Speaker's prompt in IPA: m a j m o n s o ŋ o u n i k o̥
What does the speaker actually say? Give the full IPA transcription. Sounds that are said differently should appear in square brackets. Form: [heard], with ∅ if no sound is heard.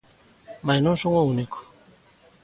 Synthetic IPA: m a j [n] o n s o ŋ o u n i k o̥